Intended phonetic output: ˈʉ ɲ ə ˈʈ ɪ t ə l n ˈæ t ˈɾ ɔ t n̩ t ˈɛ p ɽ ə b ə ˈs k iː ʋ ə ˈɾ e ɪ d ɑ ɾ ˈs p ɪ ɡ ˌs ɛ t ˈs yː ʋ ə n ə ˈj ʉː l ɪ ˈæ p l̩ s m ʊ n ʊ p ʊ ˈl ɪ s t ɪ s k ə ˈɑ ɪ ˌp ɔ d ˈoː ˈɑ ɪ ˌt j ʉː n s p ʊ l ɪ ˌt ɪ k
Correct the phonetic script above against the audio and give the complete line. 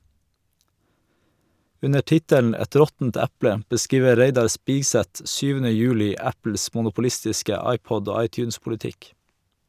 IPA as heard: ˈʉ n ə ˈʈ ɪ t ə l n ˈæ t ˈɾ ɔ t n̩ t ˈæ p ɽ ə b ə ˈs k iː ʋ ə ˈɾ e ɪ d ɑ ɾ ˈs p ɪ ɡ ˌs ɛ t ˈs yː ʋ ə n ə ˈj ʉː l ɪ ˈæ p l̩ s m ʊ n ʊ p ʊ ˈl ɪ s t ɪ s k ə ˈɑ ɪ ˌp ɔ d ˈoː ˈɑ ɪ ˌt j ʉː n s p ʊ l ɪ ˌt ɪ k